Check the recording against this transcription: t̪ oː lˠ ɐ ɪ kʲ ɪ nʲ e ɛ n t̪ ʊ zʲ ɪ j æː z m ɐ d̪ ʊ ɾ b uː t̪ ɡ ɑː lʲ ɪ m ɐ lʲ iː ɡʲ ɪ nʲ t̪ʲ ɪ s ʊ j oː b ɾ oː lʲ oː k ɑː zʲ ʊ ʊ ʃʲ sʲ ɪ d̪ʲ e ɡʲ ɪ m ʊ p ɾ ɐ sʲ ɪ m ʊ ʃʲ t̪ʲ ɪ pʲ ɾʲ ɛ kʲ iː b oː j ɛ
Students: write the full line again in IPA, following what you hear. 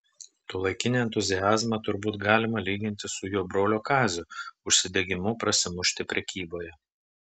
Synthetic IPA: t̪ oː lˠ ɐ ɪ kʲ ɪ nʲ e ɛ n t̪ ʊ zʲ ɪ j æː z m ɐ t̪ ʊ ɾ b uː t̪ ɡ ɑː lʲ ɪ m ɐ lʲ iː ɡʲ ɪ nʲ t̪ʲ ɪ s ʊ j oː b ɾ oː lʲ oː k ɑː zʲ ʊ ʊ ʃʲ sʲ ɪ d̪ʲ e ɡʲ ɪ m ʊ p ɾ ɐ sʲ ɪ m ʊ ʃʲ t̪ʲ ɪ pʲ ɾʲ ɛ kʲ iː b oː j ɛ

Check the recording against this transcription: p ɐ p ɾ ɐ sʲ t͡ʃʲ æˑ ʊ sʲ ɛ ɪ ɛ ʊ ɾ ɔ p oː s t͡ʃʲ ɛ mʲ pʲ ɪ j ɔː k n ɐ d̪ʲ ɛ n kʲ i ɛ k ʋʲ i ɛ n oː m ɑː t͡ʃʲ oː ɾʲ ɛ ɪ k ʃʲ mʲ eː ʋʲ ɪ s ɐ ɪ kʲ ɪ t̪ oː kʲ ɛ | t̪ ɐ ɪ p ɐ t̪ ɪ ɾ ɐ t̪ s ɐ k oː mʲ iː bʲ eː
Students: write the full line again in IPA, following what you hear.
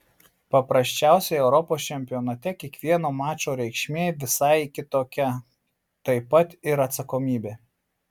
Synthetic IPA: p ɐ p ɾ ɐ sʲ t͡ʃʲ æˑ ʊ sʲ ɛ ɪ ɛ ʊ ɾ ɔ p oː s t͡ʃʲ ɛ mʲ pʲ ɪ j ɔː n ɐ t̪ʲ ɛ kʲ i ɛ k ʋʲ i ɛ n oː m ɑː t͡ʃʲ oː ɾʲ ɛ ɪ k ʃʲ mʲ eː ʋʲ ɪ s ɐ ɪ kʲ ɪ t̪ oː kʲ ɛ | t̪ ɐ ɪ p ɐ t̪ ɪ ɾ ɐ t̪ s ɐ k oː mʲ iː bʲ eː

